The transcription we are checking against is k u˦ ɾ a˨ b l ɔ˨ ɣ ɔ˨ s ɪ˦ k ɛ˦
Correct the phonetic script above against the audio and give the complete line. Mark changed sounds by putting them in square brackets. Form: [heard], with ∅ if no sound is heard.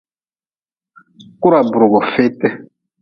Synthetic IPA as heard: k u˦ ɾ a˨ b [ɾ] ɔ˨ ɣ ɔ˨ [f] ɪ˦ [t] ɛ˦